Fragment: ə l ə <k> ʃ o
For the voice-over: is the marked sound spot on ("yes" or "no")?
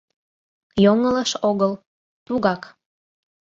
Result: no